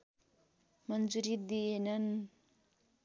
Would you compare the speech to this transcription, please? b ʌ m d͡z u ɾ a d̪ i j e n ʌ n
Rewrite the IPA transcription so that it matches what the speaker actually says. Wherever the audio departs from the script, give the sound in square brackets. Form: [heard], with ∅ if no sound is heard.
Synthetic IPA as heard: [m] ʌ [n] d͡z u ɾ [i] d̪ i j e n ʌ n